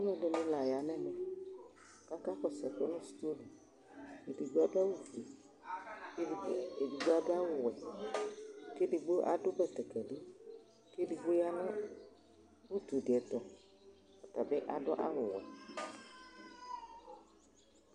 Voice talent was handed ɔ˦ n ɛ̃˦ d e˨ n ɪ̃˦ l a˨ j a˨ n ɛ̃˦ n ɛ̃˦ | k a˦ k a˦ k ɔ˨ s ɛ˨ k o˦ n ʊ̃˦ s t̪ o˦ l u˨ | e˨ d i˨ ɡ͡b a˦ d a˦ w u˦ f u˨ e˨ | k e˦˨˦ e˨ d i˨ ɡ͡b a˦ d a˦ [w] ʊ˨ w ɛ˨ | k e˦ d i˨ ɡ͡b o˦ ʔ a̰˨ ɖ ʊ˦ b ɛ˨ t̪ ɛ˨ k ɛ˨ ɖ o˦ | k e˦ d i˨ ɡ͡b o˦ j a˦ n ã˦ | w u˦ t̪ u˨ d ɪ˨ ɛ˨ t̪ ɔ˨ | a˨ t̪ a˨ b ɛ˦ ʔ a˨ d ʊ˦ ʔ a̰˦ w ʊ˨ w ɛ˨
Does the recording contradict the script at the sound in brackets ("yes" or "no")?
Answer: no